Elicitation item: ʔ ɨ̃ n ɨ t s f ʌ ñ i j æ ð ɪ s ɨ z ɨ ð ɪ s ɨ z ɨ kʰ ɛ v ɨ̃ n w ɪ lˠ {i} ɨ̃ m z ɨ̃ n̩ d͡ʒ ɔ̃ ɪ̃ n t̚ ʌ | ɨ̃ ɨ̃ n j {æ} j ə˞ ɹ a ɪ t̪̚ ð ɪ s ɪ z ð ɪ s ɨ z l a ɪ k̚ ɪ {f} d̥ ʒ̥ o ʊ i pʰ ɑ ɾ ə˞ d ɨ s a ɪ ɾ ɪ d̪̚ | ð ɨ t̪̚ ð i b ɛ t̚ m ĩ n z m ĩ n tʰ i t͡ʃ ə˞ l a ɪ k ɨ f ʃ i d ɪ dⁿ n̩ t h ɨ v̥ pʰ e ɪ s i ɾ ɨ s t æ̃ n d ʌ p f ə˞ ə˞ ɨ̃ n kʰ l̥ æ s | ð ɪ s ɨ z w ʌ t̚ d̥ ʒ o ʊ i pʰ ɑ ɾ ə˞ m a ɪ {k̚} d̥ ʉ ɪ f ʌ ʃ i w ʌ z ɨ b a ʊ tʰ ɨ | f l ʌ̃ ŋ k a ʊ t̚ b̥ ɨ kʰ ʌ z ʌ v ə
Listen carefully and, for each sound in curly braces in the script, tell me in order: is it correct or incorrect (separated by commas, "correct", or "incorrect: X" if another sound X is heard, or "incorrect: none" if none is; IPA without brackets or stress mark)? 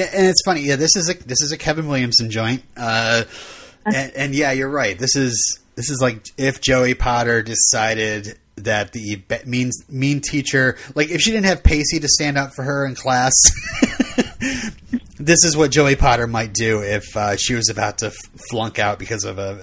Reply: incorrect: j, correct, correct, incorrect: t̚